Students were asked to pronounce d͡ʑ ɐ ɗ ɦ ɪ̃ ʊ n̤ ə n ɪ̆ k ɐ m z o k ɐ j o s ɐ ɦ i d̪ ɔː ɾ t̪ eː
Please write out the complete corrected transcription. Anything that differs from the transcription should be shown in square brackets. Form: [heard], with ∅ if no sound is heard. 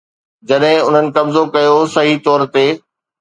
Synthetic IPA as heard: d͡ʑ ɐ ɗ ɦ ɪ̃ ʊ n̤ ə n ɪ̆ k ɐ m z o k ɐ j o s ɐ ɦ i [t̪] ɔː ɾ t̪ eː